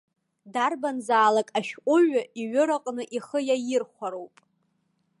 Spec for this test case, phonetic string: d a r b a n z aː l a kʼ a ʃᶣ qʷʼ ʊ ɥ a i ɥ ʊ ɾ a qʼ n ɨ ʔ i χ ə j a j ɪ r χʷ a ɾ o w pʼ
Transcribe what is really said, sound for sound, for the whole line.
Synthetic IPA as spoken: d a r b a n z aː l a kʼ a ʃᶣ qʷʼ ʊ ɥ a i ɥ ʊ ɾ a qʼ n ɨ ʔ i χ ə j a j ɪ r χʷ a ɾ o w pʼ